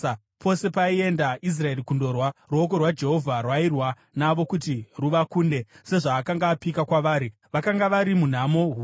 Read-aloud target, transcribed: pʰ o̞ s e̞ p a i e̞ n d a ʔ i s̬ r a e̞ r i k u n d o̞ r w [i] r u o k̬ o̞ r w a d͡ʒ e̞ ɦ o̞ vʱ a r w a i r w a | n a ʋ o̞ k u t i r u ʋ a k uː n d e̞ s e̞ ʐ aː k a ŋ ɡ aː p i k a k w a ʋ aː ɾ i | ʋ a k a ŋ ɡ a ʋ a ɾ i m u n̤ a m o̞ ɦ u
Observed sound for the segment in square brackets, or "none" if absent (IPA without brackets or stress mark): a